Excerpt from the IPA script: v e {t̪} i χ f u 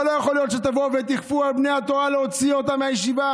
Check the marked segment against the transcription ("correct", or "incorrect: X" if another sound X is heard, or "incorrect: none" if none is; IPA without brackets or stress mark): correct